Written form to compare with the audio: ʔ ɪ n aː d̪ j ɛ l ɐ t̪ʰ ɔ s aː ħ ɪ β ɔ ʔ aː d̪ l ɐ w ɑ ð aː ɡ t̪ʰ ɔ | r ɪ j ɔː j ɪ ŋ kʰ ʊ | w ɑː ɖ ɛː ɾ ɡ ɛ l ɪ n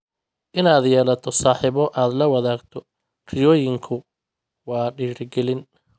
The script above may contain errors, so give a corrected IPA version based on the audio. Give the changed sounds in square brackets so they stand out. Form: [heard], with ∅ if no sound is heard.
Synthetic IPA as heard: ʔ ɪ n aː d̪ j [ɛː] l ɐ t̪ʰ ɔ s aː ħ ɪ β ɔ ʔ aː d̪ l ɐ w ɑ ð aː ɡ t̪ʰ ɔ | r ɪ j ɔː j ɪ ŋ kʰ ʊ | w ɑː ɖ [iː] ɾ ɡ ɛ l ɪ n